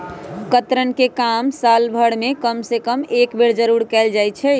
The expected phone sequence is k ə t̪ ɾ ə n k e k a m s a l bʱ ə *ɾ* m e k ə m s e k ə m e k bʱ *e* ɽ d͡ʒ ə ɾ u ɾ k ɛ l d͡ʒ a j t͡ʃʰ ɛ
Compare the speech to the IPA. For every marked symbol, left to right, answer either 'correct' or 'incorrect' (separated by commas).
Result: incorrect, correct